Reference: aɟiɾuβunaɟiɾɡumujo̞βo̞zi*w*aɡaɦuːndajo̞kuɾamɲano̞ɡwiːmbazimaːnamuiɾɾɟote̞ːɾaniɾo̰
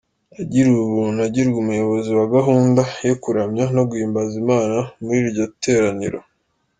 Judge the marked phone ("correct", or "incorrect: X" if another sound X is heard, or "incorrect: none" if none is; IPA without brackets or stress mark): correct